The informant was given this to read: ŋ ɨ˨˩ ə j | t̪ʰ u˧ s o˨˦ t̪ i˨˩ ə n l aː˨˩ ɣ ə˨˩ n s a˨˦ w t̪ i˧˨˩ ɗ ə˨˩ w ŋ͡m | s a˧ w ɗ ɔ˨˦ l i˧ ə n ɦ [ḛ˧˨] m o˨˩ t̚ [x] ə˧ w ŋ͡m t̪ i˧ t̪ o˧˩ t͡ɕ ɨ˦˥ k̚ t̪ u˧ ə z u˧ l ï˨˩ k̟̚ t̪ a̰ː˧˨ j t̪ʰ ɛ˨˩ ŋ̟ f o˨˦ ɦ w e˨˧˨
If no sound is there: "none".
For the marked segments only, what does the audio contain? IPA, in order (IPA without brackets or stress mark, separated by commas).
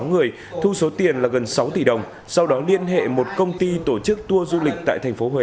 ḛ˧˨, k